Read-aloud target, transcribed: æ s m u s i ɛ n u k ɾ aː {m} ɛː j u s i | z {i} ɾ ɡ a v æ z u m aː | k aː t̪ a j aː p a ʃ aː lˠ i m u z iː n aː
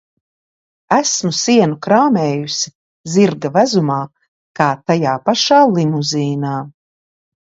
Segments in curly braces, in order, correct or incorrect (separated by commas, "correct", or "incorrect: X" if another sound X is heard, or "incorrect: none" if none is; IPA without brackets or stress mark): correct, correct